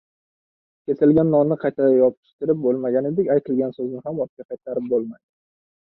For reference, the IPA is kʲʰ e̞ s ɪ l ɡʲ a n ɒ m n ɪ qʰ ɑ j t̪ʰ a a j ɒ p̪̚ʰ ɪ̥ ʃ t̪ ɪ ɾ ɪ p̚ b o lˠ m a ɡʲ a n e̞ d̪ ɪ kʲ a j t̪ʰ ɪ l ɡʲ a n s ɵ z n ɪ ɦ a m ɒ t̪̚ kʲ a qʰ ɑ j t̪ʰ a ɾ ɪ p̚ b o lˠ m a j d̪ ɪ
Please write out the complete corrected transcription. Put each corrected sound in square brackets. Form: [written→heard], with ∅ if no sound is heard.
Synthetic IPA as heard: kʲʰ e̞ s ɪ l ɡʲ a [n→nː] ɒ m n ɪ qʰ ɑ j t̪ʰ a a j ɒ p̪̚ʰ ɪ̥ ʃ t̪ ɪ ɾ ɪ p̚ b o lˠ m a ɡʲ a n e̞ d̪ ɪ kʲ a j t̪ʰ ɪ l ɡʲ a n s ɵ z n ɪ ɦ a m ɒ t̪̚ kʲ a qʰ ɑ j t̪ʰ a ɾ ɪ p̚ b o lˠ m a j d̪ ɪ